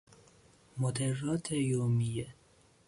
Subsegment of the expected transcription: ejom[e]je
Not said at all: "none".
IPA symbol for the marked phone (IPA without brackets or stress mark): i